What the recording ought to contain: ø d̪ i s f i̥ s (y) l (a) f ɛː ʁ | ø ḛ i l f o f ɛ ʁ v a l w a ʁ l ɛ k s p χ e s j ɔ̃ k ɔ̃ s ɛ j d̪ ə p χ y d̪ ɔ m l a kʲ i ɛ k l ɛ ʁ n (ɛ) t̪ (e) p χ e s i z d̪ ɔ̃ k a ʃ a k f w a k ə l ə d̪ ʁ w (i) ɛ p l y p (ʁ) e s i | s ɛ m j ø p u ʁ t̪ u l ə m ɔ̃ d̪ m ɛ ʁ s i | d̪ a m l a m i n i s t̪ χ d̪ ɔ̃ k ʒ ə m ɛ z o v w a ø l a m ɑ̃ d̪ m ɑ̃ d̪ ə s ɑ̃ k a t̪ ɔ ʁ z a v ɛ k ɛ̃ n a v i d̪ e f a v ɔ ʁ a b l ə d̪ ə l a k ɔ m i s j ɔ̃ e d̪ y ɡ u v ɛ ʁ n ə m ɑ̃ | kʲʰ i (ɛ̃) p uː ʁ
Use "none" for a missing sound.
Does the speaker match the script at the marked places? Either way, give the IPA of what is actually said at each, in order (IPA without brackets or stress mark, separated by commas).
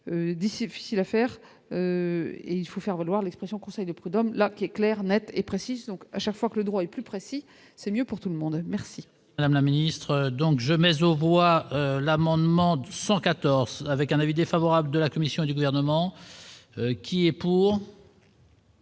i, a, ɛ, e, a, χ, ɛ